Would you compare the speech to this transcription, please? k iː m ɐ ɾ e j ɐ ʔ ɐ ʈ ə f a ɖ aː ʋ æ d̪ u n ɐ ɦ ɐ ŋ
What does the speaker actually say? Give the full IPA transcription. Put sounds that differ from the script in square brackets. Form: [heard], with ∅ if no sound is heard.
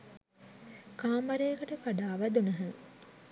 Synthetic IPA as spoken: k [aː] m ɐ ɾ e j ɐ [k] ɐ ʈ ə f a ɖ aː ʋ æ d̪ u n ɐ ɦ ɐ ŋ